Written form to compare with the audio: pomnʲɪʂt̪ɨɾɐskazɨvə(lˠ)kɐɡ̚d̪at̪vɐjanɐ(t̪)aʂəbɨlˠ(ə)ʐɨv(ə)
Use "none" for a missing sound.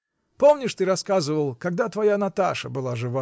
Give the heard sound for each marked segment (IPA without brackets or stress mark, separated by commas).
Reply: lˠ, t̪, a, a